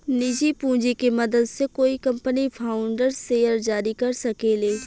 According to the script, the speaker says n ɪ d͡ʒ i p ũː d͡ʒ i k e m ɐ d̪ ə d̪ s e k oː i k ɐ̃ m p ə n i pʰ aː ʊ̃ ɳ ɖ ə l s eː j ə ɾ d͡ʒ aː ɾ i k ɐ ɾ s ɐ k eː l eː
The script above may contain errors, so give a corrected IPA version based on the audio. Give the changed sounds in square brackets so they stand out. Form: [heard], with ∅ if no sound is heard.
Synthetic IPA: n ɪ d͡ʒ i p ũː d͡ʒ i k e m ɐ d̪ ə d̪ s e k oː i k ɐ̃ m p ə n i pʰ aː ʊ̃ ɳ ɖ ə [ɾ] s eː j ə ɾ d͡ʒ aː ɾ i k ɐ ɾ s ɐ k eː l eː

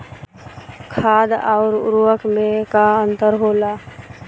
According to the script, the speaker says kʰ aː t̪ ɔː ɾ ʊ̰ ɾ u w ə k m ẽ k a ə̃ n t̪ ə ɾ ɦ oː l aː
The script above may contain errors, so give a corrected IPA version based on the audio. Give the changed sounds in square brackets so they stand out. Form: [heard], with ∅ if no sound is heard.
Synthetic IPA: kʰ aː [d̪] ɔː ɾ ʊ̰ ɾ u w ə k m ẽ k a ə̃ n t̪ ə ɾ ɦ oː l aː

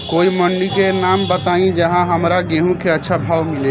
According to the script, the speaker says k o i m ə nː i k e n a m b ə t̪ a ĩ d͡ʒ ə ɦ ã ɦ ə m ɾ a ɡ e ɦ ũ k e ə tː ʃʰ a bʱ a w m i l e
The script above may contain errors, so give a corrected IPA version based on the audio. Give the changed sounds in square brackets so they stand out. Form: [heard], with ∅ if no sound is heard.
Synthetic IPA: k o i m ə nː i k e n a m b ə t̪ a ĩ d͡ʒ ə ɦ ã ɦ ə m ɾ a ɡ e ɦ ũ k e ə tː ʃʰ a bʱ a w m i l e

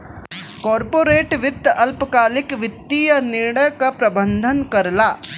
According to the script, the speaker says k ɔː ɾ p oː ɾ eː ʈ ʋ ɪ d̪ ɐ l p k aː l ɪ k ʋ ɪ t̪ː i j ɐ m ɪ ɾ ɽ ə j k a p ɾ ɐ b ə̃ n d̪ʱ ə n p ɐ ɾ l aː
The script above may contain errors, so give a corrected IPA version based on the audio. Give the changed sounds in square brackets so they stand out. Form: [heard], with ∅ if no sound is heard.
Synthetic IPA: k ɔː ɾ p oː ɾ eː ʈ ʋ ɪ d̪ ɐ l p k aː l ɪ k ʋ ɪ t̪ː i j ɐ [n] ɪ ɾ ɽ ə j k a p ɾ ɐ b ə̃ n d̪ʱ ə n [k] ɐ ɾ l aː

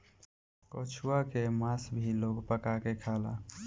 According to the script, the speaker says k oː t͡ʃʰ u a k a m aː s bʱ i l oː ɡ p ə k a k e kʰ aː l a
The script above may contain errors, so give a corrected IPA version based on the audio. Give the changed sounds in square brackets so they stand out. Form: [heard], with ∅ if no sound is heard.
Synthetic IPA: k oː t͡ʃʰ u a k [e] m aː s bʱ i l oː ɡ p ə k a k e kʰ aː l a

